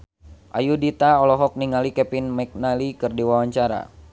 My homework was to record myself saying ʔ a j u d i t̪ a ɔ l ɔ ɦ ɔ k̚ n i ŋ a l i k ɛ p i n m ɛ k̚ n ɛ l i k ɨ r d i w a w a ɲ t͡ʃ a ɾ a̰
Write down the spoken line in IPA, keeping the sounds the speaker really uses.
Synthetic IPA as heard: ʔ a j u d i t̪ a ɔ l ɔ ɦ ɔ k̚ n i ŋ a l i k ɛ p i n m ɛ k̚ n a l i k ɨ r d i w a w a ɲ t͡ʃ a ɾ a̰